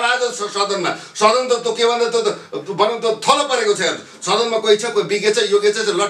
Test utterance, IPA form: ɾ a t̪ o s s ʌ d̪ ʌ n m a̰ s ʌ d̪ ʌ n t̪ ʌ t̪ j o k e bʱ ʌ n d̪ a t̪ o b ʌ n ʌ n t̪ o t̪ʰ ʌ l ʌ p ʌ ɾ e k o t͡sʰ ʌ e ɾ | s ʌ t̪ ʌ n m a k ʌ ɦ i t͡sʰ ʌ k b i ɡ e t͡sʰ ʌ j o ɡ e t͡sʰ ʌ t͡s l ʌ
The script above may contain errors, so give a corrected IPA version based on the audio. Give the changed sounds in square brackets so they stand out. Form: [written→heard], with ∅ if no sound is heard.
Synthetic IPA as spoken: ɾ a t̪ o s s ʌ d̪ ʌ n m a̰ s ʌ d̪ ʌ n t̪ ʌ t̪ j o k e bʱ ʌ n d̪ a t̪ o b ʌ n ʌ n t̪ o t̪ʰ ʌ l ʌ p ʌ ɾ e k o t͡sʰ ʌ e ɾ | s ʌ [t̪→d̪] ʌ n m a k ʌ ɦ i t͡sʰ ʌ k b i ɡ e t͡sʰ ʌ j o ɡ e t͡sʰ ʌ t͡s l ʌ